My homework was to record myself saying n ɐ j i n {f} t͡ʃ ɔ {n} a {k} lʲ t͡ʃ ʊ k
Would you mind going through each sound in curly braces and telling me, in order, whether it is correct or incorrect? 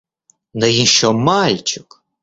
incorrect: ʃ, incorrect: m, incorrect: none

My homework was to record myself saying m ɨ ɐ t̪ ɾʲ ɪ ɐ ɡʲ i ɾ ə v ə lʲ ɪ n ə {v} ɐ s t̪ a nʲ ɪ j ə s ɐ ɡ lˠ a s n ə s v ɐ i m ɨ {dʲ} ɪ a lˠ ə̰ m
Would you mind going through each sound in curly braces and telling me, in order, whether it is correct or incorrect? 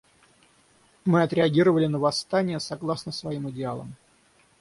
correct, correct

